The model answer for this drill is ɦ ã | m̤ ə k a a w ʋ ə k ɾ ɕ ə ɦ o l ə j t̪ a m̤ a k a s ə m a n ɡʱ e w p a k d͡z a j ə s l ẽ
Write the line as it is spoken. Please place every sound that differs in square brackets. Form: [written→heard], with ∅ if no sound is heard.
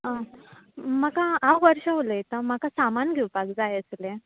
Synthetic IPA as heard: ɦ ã | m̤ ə k a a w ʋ ə [k→∅] ɾ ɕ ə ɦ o l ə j t̪ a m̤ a k a s [ə→a] m a n ɡʱ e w p a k d͡z a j ə s l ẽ

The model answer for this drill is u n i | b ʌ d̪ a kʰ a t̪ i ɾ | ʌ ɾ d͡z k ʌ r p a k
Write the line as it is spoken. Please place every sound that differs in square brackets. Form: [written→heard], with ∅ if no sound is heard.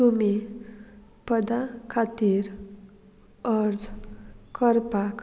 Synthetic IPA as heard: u [n→m] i | [b→p] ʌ d̪ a kʰ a t̪ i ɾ | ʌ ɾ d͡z k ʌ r p a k

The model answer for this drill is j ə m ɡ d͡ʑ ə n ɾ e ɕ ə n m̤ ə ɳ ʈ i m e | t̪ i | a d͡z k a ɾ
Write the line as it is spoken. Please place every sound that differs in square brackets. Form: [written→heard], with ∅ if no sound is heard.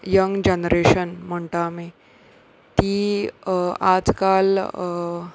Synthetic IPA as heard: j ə [m→ŋ] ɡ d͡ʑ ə n ɾ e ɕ ə n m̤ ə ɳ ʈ [i→a] m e | t̪ i | a d͡z k a [ɾ→l]

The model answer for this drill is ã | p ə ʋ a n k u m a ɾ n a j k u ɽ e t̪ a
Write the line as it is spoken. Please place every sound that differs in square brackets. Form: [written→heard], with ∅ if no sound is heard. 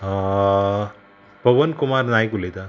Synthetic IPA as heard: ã | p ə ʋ [a→ə] n k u m a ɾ n a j k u [ɽ→l] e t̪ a

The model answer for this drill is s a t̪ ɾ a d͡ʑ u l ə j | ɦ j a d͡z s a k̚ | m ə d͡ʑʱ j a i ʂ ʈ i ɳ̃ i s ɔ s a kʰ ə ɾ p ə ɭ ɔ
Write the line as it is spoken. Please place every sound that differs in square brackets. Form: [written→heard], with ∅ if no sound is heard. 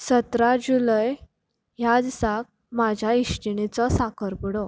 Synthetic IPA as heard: s [a→ə] t̪ ɾ a d͡ʑ u l ə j | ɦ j a d͡z s a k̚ | m [ə→a] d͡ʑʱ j a i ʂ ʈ i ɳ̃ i [s→t͡s] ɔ s a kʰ ə ɾ p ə [ɭ→ɽ] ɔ

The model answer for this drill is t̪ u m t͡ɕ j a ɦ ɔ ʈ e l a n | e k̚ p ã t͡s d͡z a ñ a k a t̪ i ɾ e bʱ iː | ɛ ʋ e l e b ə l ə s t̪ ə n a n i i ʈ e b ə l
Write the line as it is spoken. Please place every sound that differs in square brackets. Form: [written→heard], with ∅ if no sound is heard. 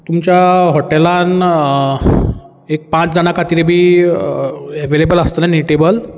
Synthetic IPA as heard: t̪ u m t͡ɕ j a ɦ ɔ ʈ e l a n | e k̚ p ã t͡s d͡z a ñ a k a t̪ i ɾ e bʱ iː | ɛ ʋ e l e b ə l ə s t̪ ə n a n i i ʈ e b ə l

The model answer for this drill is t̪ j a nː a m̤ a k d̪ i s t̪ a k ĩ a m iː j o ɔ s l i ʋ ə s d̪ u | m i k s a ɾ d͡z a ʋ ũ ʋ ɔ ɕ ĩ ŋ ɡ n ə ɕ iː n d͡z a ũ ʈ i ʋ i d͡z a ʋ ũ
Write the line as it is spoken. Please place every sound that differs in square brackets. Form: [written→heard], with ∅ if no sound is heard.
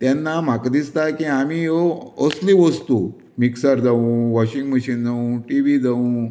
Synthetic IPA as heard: t̪ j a nː a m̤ a k d̪ i s t̪ a k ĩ a m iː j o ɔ s l i ʋ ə s [d̪→t̪] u | m i k s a ɾ d͡z a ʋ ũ ʋ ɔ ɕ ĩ ŋ ɡ [n→m] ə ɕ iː n d͡z a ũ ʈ i ʋ i d͡z a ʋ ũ

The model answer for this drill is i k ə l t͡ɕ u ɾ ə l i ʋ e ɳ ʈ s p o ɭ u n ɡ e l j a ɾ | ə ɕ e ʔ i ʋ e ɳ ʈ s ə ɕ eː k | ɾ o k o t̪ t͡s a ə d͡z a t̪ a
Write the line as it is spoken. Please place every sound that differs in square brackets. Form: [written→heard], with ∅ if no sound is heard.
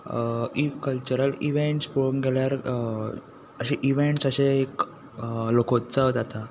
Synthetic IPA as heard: i k ə l t͡ɕ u ɾ ə l i ʋ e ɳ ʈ s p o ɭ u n ɡ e l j a ɾ | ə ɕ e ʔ i ʋ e ɳ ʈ s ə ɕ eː k | [ɾ→l] o k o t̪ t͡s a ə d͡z a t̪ a

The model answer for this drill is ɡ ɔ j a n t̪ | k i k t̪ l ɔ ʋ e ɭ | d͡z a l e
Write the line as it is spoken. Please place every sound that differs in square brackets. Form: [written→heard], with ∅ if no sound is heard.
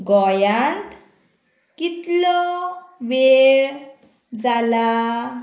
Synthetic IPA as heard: ɡ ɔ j a n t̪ | k i [k→∅] t̪ l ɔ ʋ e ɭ | d͡z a l [e→a]

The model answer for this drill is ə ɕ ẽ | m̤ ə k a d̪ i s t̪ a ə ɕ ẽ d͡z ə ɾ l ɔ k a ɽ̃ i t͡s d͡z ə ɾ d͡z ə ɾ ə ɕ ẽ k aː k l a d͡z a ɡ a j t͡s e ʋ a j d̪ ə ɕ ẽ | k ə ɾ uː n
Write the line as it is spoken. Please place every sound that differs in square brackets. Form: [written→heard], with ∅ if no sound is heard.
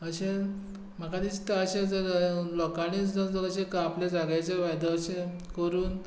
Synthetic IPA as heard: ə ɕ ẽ | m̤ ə k a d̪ i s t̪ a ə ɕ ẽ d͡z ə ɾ l ɔ k a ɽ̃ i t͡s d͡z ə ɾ d͡z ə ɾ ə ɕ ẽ k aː [k→p] l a d͡z a ɡ a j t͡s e ʋ a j d̪ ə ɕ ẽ | k ə ɾ uː n

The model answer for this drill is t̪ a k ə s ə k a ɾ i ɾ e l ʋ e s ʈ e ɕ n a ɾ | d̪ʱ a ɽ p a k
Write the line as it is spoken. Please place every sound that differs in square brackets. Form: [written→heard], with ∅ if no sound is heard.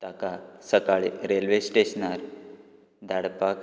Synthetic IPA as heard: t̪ a k [ə→a] s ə k a [ɾ→ɭ] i ɾ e l ʋ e s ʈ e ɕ n a ɾ | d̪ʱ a ɽ p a k

